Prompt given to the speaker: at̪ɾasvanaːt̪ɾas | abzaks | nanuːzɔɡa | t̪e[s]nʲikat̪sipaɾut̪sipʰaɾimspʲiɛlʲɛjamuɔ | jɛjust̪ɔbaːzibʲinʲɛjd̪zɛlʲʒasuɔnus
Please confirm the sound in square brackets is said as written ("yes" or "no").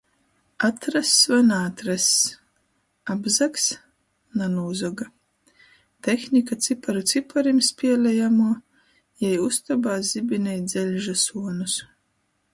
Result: no